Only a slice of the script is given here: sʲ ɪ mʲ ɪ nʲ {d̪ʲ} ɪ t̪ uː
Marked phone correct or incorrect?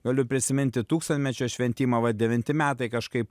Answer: incorrect